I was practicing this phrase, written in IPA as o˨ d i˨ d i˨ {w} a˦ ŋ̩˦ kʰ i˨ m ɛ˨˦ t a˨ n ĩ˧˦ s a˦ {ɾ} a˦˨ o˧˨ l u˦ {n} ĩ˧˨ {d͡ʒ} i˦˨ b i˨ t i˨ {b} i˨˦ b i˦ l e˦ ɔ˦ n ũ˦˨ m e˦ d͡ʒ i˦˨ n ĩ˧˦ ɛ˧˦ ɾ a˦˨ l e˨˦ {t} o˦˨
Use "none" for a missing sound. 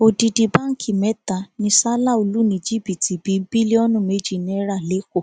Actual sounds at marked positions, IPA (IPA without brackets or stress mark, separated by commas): b, l, n, d͡ʒ, b, k